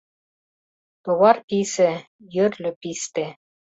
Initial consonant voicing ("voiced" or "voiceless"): voiceless